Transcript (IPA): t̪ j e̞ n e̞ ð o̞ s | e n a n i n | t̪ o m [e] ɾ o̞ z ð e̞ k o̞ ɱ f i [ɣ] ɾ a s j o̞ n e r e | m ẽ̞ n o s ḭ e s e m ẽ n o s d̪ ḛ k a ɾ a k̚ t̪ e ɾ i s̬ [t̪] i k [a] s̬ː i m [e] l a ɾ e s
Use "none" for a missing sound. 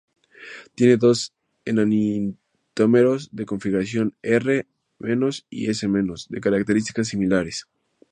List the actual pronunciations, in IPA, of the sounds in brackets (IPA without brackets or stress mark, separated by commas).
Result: e, ɣ, t̪, a, i